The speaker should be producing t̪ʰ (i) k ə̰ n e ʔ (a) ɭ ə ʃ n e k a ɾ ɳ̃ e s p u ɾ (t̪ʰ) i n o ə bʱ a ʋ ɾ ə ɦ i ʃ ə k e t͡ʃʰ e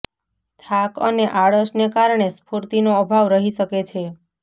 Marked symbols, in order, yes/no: no, yes, no

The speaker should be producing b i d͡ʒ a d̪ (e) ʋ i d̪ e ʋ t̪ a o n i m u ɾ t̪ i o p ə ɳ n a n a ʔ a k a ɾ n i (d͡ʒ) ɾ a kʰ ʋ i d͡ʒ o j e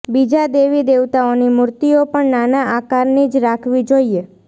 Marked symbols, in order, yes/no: yes, yes

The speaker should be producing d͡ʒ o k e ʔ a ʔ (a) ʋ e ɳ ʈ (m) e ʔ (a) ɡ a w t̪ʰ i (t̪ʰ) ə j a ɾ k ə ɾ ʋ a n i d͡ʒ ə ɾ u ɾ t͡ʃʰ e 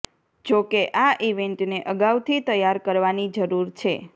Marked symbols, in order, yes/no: no, no, no, no

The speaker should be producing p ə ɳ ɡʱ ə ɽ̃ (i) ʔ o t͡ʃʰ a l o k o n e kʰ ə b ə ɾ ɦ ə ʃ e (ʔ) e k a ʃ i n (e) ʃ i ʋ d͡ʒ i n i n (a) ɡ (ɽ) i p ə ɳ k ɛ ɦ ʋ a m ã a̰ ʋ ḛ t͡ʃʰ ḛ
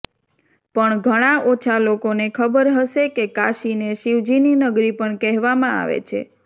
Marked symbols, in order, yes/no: no, no, yes, no, no

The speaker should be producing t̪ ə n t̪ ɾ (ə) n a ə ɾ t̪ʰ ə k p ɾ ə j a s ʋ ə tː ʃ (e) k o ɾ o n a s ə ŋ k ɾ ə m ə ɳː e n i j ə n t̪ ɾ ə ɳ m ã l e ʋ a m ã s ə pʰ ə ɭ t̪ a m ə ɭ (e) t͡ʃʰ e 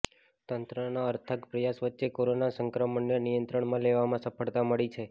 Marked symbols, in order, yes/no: yes, yes, no

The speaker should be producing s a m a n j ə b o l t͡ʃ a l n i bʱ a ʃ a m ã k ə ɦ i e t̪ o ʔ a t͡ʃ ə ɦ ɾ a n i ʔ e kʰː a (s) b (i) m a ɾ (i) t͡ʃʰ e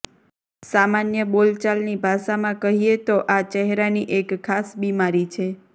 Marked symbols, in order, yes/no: yes, yes, yes

